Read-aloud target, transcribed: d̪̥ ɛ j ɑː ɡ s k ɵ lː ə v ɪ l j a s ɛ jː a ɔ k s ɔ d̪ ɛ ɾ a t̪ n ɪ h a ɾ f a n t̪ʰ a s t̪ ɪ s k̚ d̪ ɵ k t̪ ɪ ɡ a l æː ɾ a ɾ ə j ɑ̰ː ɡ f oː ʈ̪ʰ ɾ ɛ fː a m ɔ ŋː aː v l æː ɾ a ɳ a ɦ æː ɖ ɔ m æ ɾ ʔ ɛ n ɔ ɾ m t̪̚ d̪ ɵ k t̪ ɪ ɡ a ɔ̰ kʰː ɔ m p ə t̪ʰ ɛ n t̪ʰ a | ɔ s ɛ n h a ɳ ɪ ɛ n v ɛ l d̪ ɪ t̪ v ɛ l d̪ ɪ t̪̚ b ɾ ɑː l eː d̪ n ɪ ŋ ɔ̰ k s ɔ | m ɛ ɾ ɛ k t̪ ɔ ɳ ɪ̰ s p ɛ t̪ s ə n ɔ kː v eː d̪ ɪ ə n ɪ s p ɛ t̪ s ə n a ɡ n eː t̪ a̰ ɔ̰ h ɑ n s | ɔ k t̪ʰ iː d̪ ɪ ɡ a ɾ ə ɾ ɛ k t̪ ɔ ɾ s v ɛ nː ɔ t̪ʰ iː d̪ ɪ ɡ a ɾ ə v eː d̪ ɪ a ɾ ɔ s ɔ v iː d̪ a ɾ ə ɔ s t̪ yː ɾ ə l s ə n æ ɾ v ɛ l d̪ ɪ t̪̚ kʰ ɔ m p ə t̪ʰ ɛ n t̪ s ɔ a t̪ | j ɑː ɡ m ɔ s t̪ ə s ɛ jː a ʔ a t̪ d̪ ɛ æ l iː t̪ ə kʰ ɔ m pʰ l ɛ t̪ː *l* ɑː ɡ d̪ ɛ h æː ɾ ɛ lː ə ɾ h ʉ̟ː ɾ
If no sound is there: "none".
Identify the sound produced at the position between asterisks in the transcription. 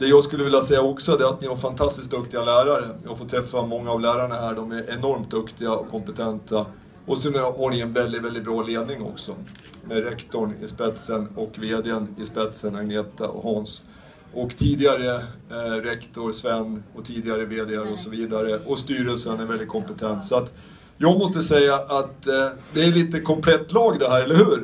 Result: l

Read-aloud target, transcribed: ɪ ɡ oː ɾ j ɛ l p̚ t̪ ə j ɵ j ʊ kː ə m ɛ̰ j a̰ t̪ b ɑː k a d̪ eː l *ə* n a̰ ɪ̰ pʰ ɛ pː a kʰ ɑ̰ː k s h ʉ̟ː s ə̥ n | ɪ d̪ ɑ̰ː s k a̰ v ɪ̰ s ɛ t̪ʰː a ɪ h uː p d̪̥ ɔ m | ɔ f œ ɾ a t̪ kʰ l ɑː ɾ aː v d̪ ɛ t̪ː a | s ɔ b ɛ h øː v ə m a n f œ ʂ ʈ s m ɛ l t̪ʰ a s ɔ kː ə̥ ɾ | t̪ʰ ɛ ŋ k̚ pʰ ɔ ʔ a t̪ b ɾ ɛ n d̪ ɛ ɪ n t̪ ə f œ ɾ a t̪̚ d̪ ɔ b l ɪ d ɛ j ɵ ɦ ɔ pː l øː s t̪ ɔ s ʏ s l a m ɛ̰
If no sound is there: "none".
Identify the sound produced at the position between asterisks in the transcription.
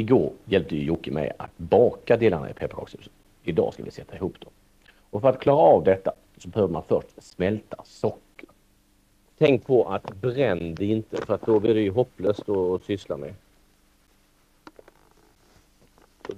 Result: a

